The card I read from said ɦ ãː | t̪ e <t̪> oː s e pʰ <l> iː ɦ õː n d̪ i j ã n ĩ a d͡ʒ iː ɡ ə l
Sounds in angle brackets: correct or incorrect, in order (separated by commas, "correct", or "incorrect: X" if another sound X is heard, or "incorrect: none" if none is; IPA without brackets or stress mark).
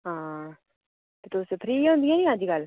correct, incorrect: ɾ